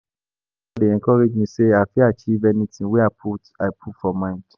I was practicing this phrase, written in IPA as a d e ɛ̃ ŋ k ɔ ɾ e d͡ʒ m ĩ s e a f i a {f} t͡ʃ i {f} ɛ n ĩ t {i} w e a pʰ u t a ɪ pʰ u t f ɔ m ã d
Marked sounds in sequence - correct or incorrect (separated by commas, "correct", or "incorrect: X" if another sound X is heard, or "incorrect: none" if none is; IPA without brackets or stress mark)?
incorrect: none, incorrect: v, incorrect: ĩ